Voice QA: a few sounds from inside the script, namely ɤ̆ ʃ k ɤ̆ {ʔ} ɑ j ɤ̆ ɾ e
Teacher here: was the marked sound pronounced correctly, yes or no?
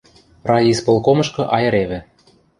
yes